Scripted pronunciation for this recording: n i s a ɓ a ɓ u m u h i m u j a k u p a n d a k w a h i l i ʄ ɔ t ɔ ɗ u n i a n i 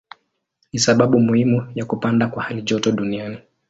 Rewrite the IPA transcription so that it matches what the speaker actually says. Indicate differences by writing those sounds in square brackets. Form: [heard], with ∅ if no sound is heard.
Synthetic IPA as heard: n i s a ɓ a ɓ u m u h i m u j a k u p a n d a k w a h [a] l i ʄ ɔ t ɔ ɗ u n i a n i